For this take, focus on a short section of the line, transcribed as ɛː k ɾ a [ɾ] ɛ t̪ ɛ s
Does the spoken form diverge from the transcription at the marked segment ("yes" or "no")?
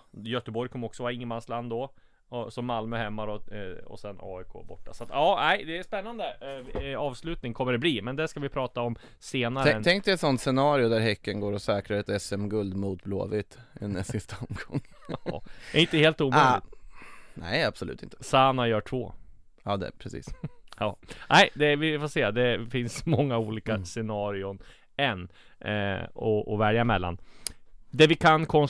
no